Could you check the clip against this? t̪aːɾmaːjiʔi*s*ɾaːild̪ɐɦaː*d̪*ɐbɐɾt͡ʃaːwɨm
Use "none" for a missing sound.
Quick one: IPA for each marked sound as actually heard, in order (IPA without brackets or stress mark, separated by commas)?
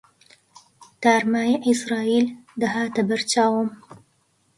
s, t̪